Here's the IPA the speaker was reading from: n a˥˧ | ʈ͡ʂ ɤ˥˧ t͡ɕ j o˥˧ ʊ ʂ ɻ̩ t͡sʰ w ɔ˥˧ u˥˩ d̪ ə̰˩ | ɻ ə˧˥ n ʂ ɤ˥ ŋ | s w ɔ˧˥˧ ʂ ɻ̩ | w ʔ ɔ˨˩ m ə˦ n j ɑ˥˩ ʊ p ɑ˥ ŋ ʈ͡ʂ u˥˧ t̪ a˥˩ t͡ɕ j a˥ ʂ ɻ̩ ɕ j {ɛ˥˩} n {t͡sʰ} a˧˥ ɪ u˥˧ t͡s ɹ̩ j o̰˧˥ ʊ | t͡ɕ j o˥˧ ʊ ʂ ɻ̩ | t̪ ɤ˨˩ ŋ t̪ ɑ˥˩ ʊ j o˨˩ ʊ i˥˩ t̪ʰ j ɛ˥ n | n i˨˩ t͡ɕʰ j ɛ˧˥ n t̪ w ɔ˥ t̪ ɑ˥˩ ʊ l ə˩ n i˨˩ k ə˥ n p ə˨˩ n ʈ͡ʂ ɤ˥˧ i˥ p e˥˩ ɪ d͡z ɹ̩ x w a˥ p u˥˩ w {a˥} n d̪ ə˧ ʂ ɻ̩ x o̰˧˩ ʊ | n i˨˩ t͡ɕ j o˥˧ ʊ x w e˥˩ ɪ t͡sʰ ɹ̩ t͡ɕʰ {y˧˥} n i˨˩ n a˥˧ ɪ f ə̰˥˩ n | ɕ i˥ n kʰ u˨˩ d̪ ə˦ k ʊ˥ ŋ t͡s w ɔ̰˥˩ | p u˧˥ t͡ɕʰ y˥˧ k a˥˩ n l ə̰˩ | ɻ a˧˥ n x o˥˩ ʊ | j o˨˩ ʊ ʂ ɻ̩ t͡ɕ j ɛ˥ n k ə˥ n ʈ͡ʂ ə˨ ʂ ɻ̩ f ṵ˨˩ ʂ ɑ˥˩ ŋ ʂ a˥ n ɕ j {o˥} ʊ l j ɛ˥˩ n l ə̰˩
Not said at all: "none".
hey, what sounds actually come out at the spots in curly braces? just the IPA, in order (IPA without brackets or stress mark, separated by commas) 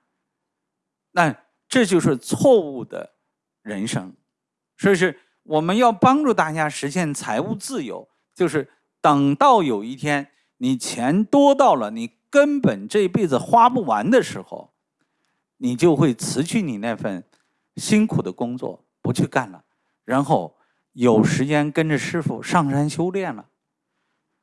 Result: ɛ˥˩, t͡sʰ, a˧˥, y˥˩, o˥